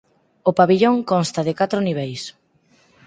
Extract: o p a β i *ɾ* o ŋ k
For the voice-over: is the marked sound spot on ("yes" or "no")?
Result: no